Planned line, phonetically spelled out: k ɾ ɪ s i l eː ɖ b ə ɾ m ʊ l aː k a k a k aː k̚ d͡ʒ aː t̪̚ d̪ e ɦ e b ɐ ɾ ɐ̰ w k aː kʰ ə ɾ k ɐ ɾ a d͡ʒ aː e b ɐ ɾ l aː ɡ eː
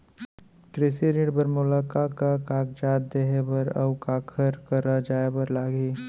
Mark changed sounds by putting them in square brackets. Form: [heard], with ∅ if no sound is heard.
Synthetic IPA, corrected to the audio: k ɾ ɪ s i [ɾ] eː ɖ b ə ɾ m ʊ l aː k a k a k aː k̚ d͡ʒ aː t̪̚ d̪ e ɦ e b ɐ ɾ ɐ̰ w k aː kʰ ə ɾ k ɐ ɾ a d͡ʒ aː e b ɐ ɾ l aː ɡ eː